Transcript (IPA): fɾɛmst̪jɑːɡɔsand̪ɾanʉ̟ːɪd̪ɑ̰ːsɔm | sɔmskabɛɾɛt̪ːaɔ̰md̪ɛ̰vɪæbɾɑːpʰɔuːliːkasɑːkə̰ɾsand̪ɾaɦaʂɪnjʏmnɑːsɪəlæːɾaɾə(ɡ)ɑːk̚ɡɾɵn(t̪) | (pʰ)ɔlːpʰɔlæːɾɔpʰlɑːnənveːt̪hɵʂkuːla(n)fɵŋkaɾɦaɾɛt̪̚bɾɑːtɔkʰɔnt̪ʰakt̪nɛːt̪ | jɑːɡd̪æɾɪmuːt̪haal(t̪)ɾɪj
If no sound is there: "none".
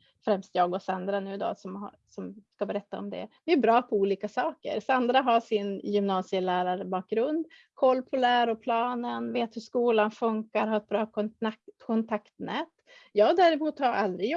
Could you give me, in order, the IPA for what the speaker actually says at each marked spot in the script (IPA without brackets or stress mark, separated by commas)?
b, d̪, kʰ, n, d̪